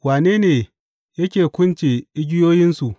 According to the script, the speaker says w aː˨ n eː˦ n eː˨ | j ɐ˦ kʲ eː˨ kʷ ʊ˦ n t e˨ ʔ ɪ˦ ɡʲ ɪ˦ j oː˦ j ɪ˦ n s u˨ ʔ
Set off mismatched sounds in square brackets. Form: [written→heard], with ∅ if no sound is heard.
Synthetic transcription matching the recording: w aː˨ n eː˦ n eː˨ | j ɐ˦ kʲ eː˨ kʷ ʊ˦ n [t→t͡ʃ] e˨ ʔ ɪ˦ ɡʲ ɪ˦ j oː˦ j ɪ˦ n s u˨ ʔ